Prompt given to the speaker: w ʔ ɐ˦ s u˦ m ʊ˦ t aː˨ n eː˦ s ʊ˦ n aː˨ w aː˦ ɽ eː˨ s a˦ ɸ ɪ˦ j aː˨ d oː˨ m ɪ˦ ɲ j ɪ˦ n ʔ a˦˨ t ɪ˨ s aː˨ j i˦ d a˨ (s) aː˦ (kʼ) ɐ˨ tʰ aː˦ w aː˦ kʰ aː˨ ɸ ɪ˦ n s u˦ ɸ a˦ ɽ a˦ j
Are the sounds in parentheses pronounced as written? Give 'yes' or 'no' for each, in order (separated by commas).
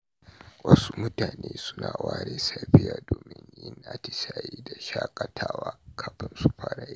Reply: no, yes